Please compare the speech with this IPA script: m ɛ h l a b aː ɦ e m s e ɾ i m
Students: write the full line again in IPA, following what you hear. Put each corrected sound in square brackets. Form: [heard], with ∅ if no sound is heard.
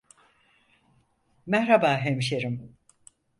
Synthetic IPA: m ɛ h [ɾ] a b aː ɦ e m [ʃ] e ɾ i m